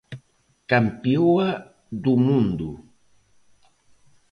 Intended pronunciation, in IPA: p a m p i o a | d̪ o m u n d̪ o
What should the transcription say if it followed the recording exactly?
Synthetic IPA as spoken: k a m p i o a | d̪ u m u n d̪ u